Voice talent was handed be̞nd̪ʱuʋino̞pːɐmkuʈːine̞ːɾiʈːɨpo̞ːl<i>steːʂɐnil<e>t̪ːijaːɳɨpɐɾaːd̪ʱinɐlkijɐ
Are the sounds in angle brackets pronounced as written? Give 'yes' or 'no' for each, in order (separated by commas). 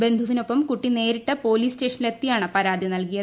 no, yes